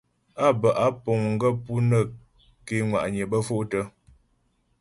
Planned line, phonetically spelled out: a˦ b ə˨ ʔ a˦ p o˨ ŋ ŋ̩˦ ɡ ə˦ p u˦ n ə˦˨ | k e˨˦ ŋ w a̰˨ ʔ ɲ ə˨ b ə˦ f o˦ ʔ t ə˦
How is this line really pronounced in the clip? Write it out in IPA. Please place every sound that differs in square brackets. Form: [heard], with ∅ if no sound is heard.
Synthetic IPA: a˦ b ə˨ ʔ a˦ p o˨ ŋ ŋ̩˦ ɡ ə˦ p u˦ n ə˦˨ | k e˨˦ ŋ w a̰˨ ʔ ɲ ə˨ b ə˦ f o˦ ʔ t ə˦